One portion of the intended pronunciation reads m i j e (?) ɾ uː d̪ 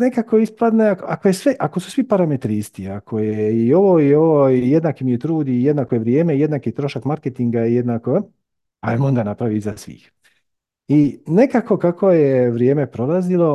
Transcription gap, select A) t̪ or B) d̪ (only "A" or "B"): A